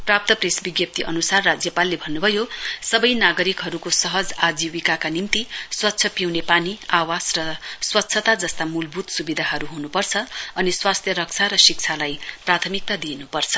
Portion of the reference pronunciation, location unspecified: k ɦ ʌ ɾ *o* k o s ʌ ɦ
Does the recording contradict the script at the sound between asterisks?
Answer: yes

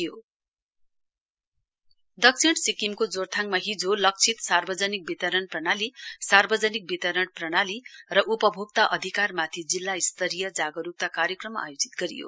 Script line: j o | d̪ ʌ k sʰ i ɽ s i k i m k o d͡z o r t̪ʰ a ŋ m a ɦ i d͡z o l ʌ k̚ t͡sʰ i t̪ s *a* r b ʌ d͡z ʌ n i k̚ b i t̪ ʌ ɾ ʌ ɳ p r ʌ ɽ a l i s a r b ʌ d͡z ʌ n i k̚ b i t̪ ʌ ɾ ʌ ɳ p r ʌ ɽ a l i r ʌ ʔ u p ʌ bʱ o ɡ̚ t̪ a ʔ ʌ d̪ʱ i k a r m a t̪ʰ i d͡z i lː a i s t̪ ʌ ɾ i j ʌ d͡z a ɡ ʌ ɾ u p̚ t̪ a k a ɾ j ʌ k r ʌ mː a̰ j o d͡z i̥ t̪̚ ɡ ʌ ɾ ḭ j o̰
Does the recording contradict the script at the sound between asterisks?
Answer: no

